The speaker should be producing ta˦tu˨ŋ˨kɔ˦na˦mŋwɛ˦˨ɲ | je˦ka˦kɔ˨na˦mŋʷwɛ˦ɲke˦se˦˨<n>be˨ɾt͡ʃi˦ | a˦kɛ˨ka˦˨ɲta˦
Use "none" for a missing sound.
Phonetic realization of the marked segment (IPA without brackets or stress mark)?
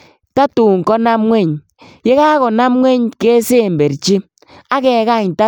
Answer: m